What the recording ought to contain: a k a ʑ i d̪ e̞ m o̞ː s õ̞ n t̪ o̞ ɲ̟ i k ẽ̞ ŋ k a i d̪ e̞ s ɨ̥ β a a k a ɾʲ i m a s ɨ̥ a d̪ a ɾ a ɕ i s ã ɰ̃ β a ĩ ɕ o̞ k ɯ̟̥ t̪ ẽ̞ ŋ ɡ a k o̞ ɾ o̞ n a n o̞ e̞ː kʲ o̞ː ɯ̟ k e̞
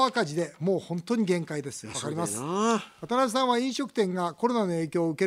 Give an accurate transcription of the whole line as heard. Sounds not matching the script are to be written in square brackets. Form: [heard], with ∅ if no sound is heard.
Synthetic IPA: a k a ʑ i d̪ e̞ m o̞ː [h] õ̞ n t̪ o̞ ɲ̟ i [ɡ] ẽ̞ ŋ k a i d̪ e̞ s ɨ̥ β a a k a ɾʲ i m a s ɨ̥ a [t̪] a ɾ a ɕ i s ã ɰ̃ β a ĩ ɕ o̞ k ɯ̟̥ t̪ ẽ̞ ŋ ɡ a k o̞ ɾ o̞ n a n o̞ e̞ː kʲ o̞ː ɯ̟ k e̞